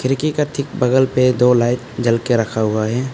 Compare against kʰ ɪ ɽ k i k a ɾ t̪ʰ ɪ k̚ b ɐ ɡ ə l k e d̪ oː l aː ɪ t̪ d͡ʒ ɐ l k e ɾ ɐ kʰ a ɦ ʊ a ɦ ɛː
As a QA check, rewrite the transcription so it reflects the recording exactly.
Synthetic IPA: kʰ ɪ ɾ k i k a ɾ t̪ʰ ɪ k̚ b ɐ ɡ ə l p e d̪ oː l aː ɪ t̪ d͡ʒ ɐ l k e ɾ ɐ kʰ a ɦ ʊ a ɦ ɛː